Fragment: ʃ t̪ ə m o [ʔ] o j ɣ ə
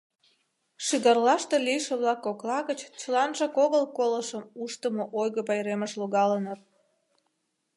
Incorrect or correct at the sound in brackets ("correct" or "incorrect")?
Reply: correct